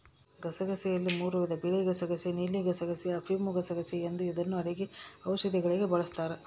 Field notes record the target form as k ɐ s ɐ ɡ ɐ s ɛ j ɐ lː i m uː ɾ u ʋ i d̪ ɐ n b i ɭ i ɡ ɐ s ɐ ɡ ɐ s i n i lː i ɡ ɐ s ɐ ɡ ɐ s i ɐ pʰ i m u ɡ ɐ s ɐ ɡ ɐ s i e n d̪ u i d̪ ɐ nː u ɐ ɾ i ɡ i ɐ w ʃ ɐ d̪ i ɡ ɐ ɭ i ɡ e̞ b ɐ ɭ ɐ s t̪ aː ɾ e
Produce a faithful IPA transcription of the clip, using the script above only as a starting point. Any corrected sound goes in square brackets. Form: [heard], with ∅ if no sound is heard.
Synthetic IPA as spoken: [ɡ] ɐ s ɐ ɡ ɐ s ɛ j ɐ lː i m uː ɾ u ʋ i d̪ ɐ [∅] b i ɭ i ɡ ɐ s ɐ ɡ ɐ s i n i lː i ɡ ɐ s ɐ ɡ ɐ s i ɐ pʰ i m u ɡ ɐ s ɐ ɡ ɐ s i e n d̪ u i d̪ ɐ nː u ɐ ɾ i ɡ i ɐ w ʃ ɐ d̪ i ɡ ɐ ɭ i ɡ e̞ b ɐ ɭ ɐ s t̪ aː ɾ e

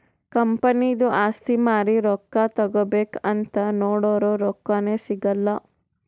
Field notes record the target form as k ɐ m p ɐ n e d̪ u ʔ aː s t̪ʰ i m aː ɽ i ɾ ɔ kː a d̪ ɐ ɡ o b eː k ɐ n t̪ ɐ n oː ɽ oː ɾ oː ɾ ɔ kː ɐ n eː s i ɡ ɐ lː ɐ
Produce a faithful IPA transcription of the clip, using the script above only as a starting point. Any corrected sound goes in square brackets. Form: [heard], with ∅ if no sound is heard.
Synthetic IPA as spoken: k ɐ m p ɐ n [i] d̪ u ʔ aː s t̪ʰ i m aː [ɾ] i ɾ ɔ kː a [t̪] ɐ ɡ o b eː k ɐ n t̪ ɐ n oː ɽ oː ɾ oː ɾ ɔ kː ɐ n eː s i ɡ ɐ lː ɐ

